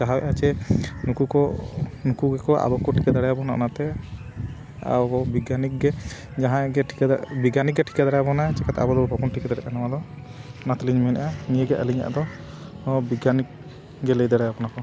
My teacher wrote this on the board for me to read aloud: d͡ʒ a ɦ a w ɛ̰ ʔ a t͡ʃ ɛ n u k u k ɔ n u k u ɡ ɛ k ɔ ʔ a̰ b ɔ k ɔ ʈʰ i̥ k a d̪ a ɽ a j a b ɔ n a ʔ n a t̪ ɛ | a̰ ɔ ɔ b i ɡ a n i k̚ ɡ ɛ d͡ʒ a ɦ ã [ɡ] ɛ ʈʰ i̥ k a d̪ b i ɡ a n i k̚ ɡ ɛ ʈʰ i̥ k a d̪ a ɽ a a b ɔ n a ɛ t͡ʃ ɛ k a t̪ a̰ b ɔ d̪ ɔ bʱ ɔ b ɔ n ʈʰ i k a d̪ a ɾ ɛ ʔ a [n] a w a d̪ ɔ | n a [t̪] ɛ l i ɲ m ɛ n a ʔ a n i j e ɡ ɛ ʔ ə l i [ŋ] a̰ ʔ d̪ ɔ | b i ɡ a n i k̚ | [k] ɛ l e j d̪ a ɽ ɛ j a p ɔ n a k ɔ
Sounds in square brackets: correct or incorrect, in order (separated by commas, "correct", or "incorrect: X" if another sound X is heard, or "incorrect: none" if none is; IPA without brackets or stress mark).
correct, correct, correct, incorrect: ɲ, incorrect: ɡ